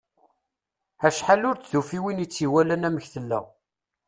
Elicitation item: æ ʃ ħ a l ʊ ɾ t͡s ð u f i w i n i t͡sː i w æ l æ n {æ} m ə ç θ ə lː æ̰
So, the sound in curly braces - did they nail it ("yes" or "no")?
yes